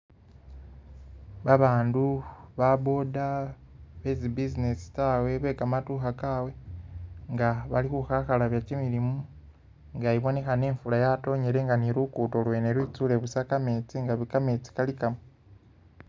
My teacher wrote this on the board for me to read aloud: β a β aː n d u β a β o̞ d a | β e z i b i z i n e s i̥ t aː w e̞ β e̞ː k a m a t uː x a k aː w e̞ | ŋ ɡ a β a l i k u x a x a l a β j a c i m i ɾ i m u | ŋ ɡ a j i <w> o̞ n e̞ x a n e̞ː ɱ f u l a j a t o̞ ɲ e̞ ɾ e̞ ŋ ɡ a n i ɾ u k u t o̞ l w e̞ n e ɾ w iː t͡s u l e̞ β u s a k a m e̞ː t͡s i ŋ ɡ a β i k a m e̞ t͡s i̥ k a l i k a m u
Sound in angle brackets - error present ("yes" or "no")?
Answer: yes